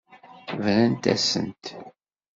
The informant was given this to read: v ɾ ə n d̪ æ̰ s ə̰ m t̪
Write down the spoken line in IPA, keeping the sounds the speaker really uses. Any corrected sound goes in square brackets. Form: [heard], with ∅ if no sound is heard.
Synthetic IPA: v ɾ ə n [t̪] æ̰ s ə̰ [n] t̪